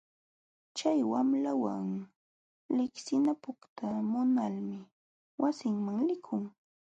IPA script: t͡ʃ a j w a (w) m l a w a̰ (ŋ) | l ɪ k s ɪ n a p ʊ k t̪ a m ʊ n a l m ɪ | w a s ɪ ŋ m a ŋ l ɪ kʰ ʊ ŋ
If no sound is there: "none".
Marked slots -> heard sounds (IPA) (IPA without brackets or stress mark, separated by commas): none, ŋ